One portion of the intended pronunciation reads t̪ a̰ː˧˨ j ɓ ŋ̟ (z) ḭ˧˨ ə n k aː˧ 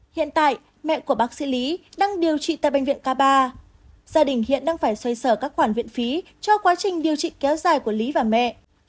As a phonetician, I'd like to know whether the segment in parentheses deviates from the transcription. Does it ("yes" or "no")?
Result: yes